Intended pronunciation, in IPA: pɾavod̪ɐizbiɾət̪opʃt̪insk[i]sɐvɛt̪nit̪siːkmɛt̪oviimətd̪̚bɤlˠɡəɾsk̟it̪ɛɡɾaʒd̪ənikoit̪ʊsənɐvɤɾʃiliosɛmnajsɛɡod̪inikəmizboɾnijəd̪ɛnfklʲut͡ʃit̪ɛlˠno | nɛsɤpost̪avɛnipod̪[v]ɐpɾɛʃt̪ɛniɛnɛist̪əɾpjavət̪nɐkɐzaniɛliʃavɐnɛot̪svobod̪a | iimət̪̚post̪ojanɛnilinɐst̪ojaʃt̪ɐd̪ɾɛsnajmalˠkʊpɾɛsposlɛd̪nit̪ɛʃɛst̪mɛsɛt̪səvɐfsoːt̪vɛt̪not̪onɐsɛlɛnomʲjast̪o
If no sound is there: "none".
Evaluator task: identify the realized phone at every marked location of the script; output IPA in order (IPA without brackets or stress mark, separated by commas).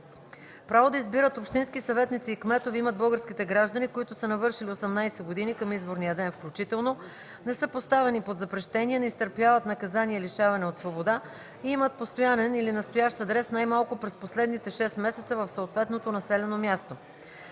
i, z